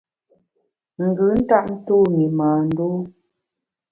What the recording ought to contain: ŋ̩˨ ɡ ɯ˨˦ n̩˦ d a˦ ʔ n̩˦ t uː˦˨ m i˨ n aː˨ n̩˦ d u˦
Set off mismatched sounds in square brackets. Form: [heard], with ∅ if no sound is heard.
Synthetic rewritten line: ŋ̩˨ ɡ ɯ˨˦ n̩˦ [t] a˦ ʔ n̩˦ t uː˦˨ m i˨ [m] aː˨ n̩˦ d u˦